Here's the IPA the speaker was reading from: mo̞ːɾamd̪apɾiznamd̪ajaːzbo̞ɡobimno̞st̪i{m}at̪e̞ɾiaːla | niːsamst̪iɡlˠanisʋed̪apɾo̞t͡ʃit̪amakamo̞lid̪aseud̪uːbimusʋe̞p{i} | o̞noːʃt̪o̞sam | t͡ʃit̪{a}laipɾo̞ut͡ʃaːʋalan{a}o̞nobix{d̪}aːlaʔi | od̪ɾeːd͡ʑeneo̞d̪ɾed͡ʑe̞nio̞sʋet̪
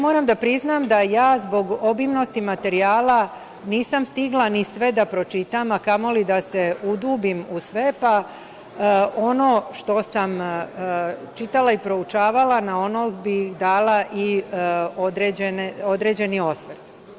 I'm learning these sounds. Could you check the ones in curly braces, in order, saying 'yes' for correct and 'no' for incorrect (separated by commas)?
yes, no, yes, yes, yes